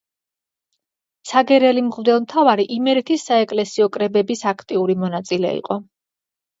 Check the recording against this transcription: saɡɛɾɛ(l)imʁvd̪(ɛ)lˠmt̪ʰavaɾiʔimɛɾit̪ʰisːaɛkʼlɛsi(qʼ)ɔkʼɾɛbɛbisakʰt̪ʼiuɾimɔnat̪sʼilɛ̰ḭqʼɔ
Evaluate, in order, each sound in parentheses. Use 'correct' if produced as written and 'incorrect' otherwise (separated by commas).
correct, correct, incorrect